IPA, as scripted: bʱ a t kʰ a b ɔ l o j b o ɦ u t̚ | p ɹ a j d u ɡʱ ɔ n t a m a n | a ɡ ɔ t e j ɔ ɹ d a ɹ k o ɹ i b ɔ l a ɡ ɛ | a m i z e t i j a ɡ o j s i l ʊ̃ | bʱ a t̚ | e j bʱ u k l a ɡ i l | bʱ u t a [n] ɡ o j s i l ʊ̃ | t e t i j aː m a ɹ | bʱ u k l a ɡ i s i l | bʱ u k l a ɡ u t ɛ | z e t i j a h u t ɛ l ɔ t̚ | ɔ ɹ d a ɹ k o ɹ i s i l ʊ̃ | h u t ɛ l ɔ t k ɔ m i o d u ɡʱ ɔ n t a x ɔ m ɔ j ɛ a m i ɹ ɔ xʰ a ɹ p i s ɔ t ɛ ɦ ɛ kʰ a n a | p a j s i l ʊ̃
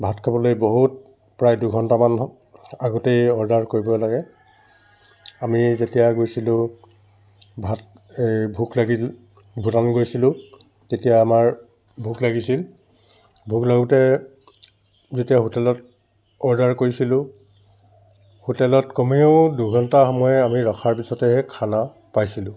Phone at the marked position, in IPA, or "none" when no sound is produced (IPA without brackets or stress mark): n